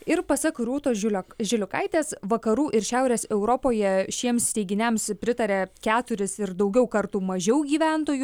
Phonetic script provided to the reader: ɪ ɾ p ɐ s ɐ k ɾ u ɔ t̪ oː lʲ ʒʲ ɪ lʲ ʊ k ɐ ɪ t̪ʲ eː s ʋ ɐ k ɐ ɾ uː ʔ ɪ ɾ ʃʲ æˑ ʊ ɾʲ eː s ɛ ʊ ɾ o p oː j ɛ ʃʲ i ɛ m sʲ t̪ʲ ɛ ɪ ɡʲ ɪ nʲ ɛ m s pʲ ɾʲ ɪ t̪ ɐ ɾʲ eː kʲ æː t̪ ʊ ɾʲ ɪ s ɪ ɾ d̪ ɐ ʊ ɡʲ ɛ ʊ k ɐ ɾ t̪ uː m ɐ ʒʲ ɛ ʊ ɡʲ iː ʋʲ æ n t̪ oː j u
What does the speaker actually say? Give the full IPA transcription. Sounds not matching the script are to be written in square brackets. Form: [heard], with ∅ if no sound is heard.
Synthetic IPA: ɪ ɾ p ɐ s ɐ k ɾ u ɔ t̪ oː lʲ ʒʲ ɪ lʲ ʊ k ɐ ɪ t̪ʲ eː s ʋ ɐ k ɐ ɾ uː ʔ ɪ ɾ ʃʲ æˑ ʊ ɾʲ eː s ɛ ʊ ɾ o p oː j ɛ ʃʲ i ɛ m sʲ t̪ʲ ɛ ɪ ɡʲ ɪ nʲ ɛ m s pʲ ɾʲ ɪ t̪ ɐ ɾʲ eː kʲ æː t̪ ʊ ɾʲ ɪ s ɪ ɾ d̪ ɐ ʊ ɡʲ ɛ ʊ k ɐ ɾ t̪ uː m ɐ ʒʲ ɛ ʊ ɡʲ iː ʋʲ æ n t̪ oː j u